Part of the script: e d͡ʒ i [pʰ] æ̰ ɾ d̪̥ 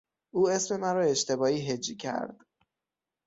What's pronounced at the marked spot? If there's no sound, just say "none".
cʰ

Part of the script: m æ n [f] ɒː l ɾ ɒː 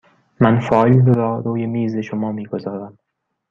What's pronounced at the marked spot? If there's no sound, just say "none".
f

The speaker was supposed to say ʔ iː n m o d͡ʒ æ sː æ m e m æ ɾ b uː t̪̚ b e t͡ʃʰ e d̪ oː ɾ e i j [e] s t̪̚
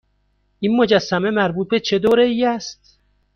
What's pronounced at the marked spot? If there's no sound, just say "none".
æ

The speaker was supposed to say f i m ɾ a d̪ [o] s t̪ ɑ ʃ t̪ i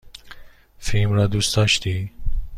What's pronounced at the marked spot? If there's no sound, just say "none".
u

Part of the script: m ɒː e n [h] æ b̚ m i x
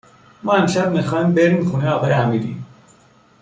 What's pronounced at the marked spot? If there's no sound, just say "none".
ʃ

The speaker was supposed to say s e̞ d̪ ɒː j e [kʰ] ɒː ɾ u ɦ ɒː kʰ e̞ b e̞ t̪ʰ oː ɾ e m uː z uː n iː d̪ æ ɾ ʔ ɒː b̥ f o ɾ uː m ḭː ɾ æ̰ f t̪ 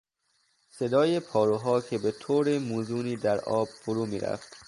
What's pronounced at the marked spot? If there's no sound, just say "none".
pʰ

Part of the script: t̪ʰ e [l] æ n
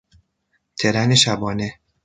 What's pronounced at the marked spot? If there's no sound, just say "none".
ɾ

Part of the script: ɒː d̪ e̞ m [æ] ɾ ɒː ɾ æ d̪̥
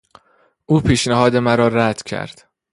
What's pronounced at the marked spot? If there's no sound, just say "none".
æ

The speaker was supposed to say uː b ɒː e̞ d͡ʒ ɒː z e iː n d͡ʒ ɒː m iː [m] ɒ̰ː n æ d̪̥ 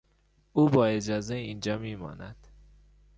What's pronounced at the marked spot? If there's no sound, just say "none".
m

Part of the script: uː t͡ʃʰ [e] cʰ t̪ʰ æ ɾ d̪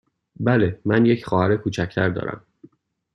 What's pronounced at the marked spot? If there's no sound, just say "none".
æ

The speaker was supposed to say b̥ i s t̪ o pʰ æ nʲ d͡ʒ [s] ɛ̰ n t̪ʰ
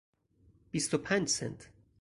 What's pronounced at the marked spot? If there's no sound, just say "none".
s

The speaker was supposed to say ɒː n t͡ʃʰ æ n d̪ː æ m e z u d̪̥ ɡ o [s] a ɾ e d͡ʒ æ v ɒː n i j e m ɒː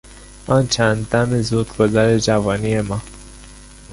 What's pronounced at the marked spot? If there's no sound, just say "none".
z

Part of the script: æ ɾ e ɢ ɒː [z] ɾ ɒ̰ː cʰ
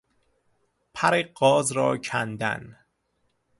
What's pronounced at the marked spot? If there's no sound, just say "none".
z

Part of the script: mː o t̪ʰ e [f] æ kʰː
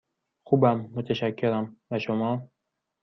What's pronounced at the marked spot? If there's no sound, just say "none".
ʃ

